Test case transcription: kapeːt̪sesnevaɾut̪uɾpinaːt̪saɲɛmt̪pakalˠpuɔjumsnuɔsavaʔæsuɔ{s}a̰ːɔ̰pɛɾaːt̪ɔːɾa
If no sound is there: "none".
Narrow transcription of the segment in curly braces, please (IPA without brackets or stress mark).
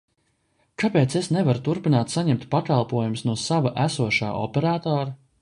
ʃ